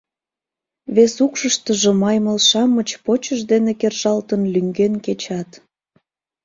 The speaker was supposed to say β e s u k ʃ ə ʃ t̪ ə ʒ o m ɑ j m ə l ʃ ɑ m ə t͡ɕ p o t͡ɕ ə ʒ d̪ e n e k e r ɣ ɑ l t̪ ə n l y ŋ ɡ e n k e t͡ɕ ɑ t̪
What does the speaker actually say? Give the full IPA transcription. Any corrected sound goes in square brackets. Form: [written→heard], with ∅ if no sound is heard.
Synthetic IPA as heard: β e s u k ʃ ə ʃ t̪ ə ʒ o m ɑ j m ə l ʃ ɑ m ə t͡ɕ p o t͡ɕ ə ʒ d̪ e n e k e r [ɣ→ʒ] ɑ l t̪ ə n l y ŋ ɡ e n k e t͡ɕ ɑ t̪